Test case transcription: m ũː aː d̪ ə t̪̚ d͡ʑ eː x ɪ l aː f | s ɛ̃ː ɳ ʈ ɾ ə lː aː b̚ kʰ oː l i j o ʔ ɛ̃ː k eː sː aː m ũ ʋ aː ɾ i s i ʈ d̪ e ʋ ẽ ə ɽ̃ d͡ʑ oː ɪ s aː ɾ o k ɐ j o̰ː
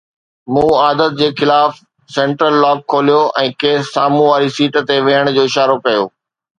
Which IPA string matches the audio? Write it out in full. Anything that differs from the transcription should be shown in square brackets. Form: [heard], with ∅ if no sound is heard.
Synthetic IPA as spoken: m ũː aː d̪ ə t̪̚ d͡ʑ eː x ɪ l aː f | s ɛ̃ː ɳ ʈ ɾ ə lː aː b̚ kʰ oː l i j o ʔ ɛ̃ː k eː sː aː m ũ ʋ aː ɾ i s [iː] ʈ [t̪] e ʋ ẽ ə ɽ̃ d͡ʑ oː ɪ [ʃ] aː ɾ o k ɐ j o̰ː